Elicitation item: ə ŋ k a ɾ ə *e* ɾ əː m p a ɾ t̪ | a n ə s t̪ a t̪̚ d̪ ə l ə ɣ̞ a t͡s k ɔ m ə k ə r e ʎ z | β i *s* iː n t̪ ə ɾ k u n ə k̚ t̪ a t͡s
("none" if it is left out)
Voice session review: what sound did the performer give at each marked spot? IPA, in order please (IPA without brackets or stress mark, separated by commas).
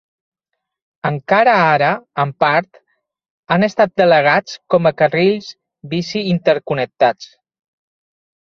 a, s